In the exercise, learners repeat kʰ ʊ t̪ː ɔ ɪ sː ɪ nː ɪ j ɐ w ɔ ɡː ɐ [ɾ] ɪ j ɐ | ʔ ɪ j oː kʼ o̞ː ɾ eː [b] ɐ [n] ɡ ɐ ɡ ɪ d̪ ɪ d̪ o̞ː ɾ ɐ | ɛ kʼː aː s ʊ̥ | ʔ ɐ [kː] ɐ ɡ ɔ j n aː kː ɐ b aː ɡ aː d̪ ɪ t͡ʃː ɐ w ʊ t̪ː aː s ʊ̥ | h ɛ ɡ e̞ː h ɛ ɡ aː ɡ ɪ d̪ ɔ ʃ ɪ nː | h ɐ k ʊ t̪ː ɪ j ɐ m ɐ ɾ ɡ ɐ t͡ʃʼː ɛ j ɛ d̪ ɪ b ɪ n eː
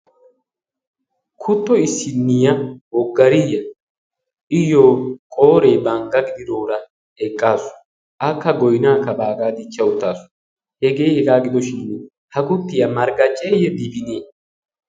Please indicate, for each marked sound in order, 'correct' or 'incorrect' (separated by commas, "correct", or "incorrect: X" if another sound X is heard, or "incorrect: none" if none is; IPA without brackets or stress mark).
correct, correct, incorrect: ŋ, correct